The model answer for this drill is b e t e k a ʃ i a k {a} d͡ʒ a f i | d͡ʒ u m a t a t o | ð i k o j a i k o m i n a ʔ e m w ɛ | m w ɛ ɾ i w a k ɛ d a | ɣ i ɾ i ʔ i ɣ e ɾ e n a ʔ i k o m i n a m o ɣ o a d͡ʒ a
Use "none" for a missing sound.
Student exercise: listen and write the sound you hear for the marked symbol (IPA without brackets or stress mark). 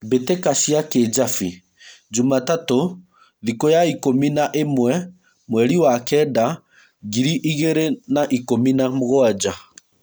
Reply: e